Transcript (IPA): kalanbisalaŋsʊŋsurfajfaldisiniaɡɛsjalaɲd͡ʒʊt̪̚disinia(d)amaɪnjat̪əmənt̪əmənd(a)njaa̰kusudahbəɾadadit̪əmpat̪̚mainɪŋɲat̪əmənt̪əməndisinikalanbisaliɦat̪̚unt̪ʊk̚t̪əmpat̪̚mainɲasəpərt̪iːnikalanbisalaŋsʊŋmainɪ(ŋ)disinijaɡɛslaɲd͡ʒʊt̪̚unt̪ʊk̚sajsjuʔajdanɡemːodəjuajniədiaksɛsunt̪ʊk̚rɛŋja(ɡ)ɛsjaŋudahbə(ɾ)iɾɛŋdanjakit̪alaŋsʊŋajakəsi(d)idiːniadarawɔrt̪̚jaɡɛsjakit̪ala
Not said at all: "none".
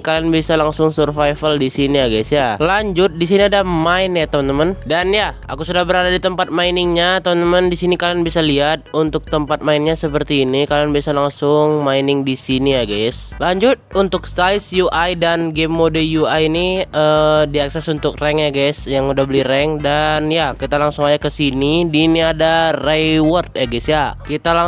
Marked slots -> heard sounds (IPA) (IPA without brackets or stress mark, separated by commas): d, a, ŋ, ɡ, l, n